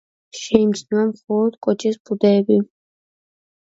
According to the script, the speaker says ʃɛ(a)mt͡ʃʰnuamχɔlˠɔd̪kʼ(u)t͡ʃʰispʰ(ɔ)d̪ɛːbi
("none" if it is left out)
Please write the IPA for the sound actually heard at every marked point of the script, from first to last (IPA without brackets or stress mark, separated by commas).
i, ɔ, u